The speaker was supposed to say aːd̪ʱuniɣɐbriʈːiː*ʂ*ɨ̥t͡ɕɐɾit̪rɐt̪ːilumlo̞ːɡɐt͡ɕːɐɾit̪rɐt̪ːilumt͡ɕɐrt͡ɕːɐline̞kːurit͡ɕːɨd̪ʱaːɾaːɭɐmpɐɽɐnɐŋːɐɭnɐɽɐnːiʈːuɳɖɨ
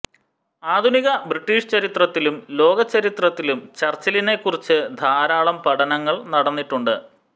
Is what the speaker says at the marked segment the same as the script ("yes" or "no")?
yes